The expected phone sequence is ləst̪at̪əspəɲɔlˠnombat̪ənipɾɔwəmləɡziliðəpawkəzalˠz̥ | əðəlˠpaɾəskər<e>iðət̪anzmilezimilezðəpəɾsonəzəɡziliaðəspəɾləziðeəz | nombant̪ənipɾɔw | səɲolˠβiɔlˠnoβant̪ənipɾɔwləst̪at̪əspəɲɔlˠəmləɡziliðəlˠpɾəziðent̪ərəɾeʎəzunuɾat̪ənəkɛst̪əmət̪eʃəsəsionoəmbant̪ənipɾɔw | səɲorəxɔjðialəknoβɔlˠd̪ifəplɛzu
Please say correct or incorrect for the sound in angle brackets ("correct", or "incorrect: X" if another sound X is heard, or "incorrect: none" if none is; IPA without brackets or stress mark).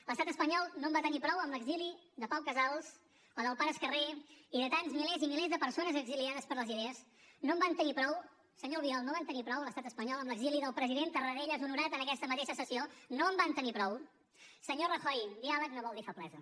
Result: correct